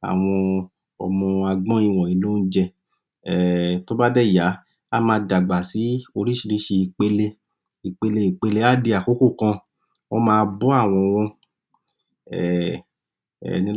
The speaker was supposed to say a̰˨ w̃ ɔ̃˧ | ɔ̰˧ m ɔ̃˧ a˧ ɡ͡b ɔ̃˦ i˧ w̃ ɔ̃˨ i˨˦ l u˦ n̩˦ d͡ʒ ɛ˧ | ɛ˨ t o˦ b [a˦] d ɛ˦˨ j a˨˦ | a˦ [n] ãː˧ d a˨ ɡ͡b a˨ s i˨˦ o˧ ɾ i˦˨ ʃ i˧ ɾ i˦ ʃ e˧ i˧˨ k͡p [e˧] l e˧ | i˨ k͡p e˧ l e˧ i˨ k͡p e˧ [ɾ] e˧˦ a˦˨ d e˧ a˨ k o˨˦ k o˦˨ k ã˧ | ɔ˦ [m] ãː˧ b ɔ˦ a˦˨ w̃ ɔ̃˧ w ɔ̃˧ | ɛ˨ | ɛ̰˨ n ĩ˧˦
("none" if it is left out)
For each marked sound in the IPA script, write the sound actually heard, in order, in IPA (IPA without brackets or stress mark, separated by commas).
a˦, m, e˧, l, m